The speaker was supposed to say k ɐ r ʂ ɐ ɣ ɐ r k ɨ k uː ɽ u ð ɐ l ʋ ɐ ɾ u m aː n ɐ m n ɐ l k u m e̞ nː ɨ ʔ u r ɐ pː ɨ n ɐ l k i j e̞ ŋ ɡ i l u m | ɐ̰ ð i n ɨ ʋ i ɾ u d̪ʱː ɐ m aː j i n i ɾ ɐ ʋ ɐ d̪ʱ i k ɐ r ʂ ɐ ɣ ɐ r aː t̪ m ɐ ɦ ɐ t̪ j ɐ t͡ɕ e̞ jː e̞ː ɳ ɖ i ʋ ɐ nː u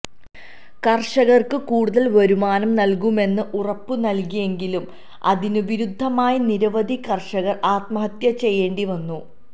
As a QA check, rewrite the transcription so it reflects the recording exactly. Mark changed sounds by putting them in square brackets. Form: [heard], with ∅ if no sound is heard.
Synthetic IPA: k ɐ r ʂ ɐ ɣ ɐ r k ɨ k uː ɽ u ð ɐ l ʋ ɐ ɾ u m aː n ɐ m n ɐ l k u m e̞ nː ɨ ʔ u r ɐ pː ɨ n ɐ l k i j e̞ ŋ ɡ i l u m | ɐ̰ ð i n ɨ ʋ i ɾ u d̪ʱː ɐ m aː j i n i ɾ ɐ ʋ ɐ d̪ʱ i k ɐ r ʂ ɐ ɣ ɐ r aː t̪ m ɐ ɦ ɐ t̪ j ɐ t͡ɕ e̞ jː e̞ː ɳ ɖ i ʋ ɐ nː u